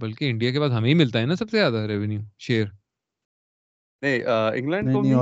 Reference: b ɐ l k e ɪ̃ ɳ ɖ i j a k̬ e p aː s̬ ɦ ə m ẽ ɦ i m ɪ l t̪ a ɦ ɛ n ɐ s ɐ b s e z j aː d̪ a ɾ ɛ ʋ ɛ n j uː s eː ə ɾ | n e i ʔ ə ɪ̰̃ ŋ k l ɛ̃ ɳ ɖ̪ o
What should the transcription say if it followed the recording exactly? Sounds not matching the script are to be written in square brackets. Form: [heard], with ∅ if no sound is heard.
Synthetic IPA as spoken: b ɐ l k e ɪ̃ ɳ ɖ i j a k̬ e p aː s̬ ɦ [ɐ] m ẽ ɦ i m ɪ l t̪ a ɦ ɛ n [a] s ɐ b s e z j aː d̪ a ɾ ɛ ʋ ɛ n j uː [ʃ] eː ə ɾ | n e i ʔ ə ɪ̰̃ ŋ [ɡ] l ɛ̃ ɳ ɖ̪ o